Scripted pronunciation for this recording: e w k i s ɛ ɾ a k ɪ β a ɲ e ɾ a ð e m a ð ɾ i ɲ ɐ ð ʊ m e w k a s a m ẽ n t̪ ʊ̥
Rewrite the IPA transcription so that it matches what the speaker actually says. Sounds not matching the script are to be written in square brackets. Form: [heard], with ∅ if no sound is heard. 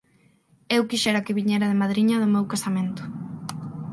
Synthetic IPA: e w k i [ʃ] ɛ ɾ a k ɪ β [i] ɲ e ɾ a ð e m a ð ɾ i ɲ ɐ ð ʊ m e w k a s a m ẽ n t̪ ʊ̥